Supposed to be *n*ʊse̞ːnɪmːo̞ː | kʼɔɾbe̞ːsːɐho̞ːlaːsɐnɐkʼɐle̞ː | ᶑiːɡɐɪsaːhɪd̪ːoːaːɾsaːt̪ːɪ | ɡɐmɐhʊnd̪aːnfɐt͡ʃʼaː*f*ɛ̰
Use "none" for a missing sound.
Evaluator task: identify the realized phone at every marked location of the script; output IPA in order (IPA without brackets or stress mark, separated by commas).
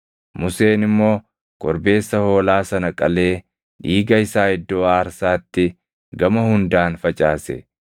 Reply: m, s